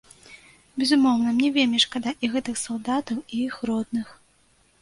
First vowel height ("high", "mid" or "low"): mid